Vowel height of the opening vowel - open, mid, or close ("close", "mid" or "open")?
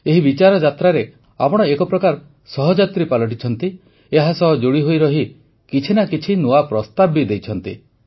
mid